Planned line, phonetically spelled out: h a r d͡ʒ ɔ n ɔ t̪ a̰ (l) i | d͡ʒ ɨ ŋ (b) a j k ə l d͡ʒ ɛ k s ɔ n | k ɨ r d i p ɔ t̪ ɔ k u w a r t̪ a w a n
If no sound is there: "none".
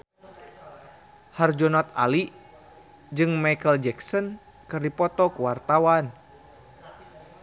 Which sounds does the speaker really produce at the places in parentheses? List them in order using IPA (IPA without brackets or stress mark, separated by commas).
l, m